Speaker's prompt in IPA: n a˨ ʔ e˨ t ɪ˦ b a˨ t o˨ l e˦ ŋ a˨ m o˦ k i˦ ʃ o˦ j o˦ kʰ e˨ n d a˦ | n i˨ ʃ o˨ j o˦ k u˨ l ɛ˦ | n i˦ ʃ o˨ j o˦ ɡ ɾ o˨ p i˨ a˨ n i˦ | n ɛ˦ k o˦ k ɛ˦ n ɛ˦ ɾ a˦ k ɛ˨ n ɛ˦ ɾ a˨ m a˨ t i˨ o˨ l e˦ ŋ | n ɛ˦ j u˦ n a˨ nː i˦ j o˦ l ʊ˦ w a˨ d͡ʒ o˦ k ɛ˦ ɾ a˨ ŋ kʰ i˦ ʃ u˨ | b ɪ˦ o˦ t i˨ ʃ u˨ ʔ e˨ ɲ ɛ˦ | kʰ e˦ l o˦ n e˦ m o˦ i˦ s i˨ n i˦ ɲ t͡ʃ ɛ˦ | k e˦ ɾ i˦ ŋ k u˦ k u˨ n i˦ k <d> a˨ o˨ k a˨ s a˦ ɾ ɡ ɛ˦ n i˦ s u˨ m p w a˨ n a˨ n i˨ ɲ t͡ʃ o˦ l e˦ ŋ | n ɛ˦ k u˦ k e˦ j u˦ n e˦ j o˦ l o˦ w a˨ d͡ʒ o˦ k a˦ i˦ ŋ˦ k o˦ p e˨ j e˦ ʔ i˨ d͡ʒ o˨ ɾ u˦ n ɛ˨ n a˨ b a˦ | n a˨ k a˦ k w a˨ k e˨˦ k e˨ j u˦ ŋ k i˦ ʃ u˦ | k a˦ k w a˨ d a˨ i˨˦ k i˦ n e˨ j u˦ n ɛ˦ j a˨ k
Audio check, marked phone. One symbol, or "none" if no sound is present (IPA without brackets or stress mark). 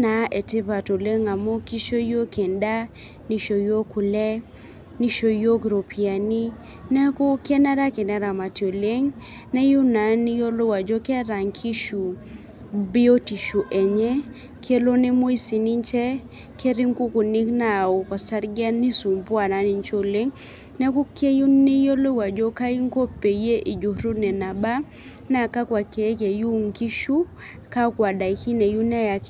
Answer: n